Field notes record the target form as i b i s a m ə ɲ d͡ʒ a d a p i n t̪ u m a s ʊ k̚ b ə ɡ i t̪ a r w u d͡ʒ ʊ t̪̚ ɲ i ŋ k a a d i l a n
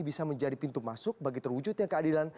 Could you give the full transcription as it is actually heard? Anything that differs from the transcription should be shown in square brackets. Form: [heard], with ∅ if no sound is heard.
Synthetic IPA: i b i s a m ə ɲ d͡ʒ a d [i] p i n t̪ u m a s ʊ k̚ b [a] ɡ i t̪ [ə] r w u d͡ʒ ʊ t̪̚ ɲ [a] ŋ k [ə] a d i l a n